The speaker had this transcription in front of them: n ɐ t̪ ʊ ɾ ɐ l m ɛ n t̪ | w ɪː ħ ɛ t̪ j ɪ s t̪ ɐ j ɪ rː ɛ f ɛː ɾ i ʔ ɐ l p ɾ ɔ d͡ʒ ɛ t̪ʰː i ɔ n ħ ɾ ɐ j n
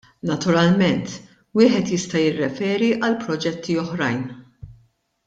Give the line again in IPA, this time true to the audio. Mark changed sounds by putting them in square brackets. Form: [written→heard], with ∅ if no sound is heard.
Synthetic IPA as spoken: n ɐ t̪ ʊ ɾ ɐ l m ɛ n t̪ | w ɪː ħ ɛ t̪ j ɪ s t̪ ɐ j ɪ rː ɛ f ɛː ɾ i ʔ ɐ l p ɾ ɔ d͡ʒ ɛ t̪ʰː i ɔ [n→∅] ħ ɾ ɐ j n